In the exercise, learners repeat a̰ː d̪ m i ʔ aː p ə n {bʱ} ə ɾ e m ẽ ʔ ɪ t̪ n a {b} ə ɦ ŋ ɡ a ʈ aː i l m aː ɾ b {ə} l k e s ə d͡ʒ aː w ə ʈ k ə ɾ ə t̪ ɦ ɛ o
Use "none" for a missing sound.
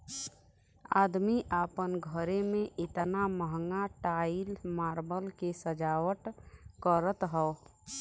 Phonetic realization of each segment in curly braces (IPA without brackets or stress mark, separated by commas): ɡʱ, m, ə